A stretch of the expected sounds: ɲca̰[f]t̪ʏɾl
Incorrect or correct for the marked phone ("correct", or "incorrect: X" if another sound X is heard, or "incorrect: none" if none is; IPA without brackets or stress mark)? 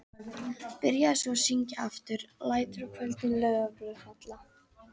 correct